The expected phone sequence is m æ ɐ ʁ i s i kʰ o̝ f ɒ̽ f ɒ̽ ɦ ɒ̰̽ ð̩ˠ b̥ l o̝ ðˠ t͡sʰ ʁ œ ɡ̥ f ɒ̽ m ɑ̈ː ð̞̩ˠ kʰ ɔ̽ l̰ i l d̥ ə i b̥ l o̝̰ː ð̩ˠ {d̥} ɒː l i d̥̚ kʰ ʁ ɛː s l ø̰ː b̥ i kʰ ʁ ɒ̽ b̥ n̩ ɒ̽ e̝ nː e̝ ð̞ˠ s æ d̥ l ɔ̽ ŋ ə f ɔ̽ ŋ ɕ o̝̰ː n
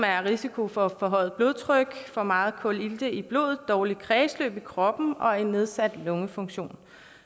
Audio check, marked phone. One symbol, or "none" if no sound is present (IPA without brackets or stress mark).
d̥